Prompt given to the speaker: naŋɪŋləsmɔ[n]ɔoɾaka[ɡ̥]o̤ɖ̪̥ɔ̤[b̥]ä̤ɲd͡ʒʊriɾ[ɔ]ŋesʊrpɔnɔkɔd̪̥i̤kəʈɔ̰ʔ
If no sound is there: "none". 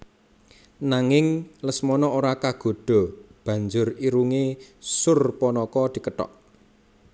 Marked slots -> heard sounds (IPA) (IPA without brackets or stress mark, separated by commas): n, ɡ̥, b̥, u